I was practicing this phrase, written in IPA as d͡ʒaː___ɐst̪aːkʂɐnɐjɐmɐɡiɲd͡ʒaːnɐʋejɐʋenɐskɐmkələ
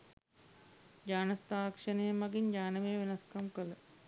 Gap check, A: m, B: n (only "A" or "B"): B